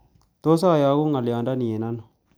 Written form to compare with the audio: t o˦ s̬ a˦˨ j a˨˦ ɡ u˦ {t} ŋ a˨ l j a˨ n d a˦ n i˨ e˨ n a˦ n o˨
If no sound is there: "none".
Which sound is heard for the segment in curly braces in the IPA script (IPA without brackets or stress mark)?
none